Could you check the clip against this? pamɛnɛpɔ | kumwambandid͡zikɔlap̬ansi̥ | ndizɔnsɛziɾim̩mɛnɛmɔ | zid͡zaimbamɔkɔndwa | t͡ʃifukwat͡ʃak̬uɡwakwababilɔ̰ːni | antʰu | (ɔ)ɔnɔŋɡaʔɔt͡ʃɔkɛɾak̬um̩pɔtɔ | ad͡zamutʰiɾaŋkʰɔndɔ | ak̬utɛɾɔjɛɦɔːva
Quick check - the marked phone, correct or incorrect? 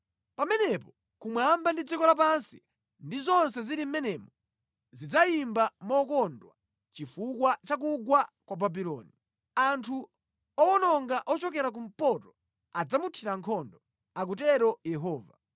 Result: correct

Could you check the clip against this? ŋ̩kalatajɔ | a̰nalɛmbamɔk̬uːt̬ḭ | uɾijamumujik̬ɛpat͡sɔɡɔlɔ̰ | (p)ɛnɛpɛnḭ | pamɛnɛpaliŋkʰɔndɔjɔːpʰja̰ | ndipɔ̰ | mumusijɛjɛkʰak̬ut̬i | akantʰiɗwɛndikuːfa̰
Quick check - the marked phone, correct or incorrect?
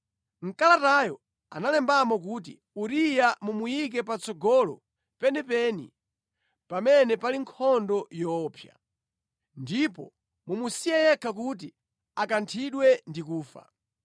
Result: correct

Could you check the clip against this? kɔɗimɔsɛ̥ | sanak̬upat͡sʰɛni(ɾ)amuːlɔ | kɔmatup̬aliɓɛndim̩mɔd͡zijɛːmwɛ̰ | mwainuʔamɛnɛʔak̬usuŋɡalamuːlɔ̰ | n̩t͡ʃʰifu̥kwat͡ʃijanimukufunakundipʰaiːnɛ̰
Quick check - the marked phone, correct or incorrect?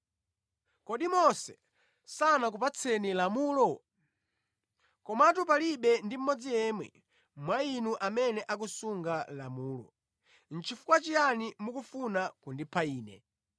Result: incorrect: l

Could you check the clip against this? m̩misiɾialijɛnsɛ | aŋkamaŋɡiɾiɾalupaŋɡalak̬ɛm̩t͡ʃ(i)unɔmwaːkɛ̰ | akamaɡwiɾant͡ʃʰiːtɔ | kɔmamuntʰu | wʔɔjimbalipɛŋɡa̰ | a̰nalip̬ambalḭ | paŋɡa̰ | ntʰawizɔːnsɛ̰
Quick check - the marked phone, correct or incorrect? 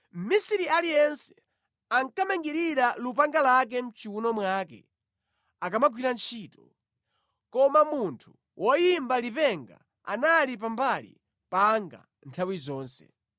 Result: correct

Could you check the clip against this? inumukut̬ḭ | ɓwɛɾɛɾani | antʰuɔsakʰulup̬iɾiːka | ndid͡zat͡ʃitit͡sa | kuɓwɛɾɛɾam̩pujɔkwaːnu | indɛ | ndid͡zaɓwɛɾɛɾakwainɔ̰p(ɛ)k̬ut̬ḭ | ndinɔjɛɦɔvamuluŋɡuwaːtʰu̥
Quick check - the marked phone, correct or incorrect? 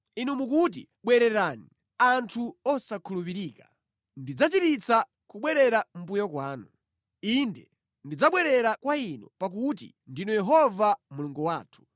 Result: incorrect: a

